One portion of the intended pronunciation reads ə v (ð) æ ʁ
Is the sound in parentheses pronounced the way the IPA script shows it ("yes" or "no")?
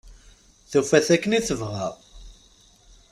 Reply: no